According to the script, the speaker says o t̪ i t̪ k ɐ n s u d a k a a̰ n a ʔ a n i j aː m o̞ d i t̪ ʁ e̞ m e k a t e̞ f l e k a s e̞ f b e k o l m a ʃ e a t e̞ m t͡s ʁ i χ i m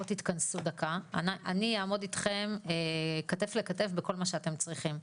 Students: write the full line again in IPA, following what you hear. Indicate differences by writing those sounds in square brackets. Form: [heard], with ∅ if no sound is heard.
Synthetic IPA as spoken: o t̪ i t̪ k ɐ n s u d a k a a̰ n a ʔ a n i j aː m o̞ d i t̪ [χ] e̞ m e k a t e̞ f l e k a [t] e̞ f b e k o l m a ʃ e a t e̞ m t͡s ʁ i χ i m